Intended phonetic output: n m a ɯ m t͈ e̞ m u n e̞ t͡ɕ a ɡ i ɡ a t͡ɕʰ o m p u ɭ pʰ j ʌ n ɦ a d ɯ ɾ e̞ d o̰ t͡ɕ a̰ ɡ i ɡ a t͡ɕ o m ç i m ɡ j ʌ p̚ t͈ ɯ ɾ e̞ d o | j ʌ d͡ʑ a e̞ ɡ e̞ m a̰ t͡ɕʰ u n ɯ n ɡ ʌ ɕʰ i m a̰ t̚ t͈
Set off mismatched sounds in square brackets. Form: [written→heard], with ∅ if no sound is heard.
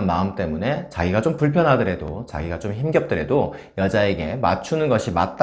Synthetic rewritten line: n m a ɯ m t͈ e̞ m u n e̞ t͡ɕ a ɡ i ɡ a [t͡ɕʰ→t͡ɕ] o m p u ɭ pʰ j ʌ n ɦ a d ɯ ɾ e̞ d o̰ t͡ɕ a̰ ɡ i ɡ a t͡ɕ o m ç i m ɡ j ʌ p̚ t͈ ɯ ɾ e̞ d o | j ʌ d͡ʑ a e̞ ɡ e̞ m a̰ t͡ɕʰ u n ɯ n ɡ ʌ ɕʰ i m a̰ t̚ t͈